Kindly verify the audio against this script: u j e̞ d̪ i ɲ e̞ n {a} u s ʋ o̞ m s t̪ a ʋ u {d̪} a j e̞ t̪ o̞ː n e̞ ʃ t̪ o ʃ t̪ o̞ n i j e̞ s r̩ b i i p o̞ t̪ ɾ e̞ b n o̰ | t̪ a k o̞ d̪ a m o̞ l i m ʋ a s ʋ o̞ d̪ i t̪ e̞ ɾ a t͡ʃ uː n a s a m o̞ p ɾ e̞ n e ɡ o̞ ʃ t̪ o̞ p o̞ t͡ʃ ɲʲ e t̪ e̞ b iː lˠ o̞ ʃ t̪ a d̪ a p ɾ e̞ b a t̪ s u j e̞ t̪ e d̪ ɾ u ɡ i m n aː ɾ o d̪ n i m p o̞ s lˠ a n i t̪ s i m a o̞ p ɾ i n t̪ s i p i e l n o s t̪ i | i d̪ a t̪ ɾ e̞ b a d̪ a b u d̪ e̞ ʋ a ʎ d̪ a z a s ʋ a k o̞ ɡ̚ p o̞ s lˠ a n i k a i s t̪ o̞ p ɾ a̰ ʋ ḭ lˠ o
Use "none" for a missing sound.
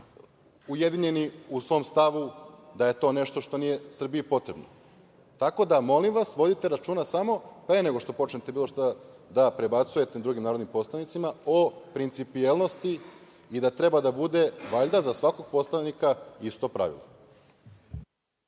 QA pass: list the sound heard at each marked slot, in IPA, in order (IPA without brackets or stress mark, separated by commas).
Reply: i, d̪